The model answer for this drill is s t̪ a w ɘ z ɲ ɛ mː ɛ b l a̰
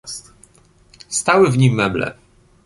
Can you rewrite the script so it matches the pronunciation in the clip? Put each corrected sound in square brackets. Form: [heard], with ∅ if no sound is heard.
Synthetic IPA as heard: s t̪ a w ɘ [v] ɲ [i] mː ɛ b l [ɛ̰]